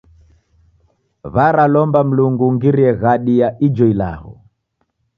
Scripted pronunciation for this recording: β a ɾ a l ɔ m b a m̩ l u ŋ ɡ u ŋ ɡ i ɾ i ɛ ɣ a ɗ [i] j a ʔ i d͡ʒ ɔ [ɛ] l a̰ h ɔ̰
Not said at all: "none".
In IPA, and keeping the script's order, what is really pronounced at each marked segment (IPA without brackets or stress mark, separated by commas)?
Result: i, i